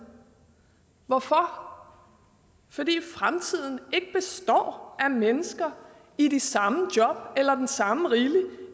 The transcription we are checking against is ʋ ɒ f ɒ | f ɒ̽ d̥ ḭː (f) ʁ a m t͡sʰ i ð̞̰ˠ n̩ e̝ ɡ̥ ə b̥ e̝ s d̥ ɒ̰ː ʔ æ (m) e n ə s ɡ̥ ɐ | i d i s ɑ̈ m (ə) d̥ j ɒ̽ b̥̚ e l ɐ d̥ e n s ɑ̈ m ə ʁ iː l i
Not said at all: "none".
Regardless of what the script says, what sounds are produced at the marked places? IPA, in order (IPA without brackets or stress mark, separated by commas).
f, m, ə